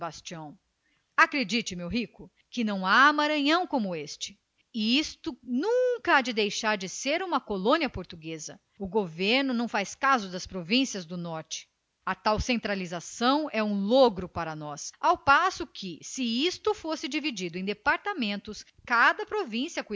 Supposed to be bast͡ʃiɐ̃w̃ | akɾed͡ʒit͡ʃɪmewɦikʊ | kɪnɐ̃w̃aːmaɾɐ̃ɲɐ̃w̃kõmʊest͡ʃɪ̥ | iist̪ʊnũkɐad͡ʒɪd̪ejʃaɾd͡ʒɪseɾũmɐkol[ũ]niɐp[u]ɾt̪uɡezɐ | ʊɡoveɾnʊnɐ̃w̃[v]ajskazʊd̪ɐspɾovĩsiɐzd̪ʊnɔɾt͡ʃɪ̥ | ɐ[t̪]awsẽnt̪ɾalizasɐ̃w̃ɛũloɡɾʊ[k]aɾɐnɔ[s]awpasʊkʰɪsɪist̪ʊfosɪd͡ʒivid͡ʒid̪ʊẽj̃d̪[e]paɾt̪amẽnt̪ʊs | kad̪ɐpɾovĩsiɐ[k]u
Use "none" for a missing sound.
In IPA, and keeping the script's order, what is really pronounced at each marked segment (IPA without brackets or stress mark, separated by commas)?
õ, o, f, t̪, p, s, e, k